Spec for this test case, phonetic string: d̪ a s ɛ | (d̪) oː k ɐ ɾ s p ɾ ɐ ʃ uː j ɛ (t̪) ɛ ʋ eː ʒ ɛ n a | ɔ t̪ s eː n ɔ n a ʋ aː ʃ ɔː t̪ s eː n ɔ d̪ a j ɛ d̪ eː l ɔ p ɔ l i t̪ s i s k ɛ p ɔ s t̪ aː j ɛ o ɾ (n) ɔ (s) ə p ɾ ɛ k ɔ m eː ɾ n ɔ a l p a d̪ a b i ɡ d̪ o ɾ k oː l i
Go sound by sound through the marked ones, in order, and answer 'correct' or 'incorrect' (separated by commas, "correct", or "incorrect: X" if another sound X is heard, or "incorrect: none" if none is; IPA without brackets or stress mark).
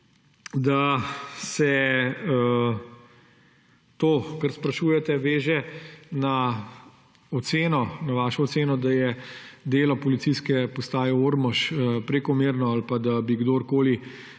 incorrect: t̪, correct, incorrect: m, incorrect: ʃ